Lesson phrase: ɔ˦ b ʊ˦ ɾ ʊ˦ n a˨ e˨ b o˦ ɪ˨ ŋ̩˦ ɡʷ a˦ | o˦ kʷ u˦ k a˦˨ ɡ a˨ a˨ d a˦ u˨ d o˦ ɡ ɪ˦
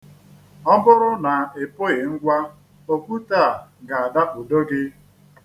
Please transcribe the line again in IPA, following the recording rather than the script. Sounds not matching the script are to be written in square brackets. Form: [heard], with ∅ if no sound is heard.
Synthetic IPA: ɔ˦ b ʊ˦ ɾ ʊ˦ n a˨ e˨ [p] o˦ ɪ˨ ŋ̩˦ ɡʷ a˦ | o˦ kʷ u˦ [t] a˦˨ ɡ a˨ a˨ d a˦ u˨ d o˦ ɡ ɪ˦